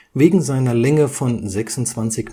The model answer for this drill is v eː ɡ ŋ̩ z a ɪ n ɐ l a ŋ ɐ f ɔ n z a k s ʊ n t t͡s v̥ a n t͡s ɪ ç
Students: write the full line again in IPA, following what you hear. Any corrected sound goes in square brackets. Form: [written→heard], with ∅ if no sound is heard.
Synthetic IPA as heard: v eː ɡ ŋ̩ z a ɪ n ɐ l [a→ɛ] ŋ [ɐ→ə] f ɔ n z [a→ɛ] k s ʊ n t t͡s v̥ a n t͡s ɪ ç